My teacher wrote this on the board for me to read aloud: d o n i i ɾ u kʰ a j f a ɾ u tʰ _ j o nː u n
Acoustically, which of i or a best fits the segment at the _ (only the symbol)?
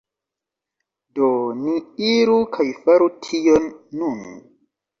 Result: i